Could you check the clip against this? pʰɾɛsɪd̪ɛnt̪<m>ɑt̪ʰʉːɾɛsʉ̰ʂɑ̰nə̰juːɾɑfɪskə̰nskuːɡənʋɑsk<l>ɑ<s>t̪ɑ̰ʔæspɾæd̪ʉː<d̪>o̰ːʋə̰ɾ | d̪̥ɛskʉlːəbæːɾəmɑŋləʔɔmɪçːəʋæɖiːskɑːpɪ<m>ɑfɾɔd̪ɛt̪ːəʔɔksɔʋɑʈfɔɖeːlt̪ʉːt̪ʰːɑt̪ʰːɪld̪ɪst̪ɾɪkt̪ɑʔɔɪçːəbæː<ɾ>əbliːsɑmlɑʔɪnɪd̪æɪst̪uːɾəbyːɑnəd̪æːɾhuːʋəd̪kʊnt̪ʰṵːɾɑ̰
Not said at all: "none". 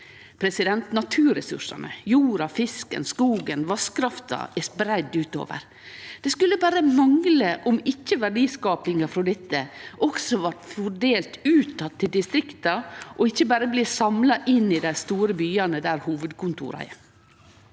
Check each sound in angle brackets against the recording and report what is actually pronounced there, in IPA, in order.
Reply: n, ɾ, f, t̪, ŋ, ɾ

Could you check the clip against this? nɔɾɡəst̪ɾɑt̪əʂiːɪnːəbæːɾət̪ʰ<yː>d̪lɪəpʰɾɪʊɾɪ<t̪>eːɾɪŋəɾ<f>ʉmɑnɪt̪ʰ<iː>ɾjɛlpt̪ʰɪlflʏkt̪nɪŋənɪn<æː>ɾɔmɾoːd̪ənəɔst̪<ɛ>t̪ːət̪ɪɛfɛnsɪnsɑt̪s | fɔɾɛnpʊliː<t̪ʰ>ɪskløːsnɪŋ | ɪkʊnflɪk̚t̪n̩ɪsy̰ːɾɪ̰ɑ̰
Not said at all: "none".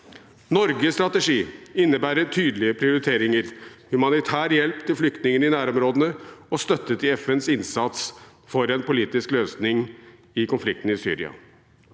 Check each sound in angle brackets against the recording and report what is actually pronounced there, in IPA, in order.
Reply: yː, t̪ʰ, h, æː, æː, œ, t̪

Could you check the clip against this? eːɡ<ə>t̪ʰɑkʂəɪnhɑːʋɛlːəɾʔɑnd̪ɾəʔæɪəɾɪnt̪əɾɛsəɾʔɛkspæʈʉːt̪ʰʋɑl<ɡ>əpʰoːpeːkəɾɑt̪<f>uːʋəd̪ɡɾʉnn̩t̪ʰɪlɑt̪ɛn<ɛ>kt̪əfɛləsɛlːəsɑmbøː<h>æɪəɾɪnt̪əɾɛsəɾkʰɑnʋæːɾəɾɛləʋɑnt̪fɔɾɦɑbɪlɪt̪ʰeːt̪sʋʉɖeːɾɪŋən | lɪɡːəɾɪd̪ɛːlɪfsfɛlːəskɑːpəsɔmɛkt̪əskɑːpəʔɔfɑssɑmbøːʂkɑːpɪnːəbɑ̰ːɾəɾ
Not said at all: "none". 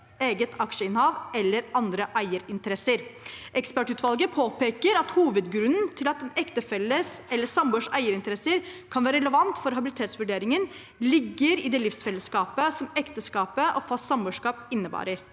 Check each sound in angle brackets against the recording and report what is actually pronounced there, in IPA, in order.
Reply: ə, ɡ, h, ɛ, ʂ

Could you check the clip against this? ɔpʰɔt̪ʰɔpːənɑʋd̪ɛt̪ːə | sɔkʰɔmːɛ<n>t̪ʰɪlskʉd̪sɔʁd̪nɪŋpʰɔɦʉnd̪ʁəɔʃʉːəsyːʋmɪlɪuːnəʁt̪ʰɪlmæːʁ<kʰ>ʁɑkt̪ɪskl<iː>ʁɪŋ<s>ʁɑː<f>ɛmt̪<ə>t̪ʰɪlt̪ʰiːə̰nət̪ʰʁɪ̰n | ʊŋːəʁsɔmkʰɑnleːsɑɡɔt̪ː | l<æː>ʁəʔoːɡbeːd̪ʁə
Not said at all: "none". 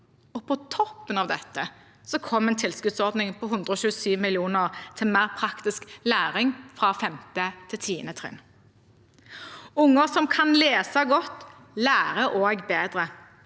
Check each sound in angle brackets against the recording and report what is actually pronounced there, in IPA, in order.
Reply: n, pʰ, æː, f, f, ə, æː

